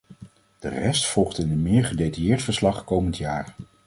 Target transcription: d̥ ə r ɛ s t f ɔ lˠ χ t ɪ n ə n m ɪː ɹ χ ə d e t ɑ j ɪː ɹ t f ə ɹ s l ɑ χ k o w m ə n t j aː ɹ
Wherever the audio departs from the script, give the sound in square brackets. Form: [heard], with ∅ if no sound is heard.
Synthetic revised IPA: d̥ ə r ɛ s t f ɔ lˠ χ t ɪ n ə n m ɪː ɹ χ ə d e t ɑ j ɪː ɹ t f ə ɹ s l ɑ χ k o w m ə n t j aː ɹ